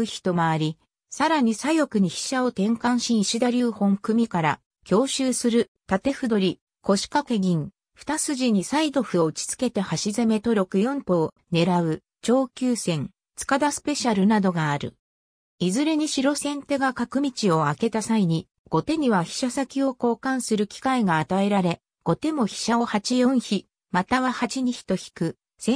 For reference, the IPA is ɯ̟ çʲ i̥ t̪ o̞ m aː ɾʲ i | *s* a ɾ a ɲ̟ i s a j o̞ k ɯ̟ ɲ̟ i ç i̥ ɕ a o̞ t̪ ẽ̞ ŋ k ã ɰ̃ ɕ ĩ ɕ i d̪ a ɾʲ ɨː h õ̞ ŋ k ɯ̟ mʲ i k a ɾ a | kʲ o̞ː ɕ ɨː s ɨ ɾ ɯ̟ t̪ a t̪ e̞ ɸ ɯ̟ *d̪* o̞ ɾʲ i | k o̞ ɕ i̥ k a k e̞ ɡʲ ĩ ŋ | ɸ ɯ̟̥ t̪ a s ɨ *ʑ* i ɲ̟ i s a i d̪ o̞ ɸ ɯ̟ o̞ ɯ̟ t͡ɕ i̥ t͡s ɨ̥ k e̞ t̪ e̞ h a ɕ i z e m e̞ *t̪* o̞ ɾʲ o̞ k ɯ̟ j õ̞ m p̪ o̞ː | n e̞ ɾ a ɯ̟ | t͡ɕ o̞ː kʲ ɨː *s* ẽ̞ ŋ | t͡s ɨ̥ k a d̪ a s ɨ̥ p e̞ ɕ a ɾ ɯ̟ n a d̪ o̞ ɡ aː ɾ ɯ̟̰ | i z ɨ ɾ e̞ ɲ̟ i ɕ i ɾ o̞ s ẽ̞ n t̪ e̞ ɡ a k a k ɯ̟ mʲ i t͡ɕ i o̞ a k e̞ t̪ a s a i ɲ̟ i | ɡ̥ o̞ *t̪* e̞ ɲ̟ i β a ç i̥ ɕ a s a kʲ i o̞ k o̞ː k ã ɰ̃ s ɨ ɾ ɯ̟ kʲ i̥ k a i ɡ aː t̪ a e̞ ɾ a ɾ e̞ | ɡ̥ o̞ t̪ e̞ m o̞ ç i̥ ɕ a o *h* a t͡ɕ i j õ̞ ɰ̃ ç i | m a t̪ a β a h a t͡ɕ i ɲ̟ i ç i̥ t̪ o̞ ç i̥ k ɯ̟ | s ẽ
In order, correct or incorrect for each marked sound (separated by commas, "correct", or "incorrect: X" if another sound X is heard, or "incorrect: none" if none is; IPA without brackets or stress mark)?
correct, correct, correct, correct, correct, correct, correct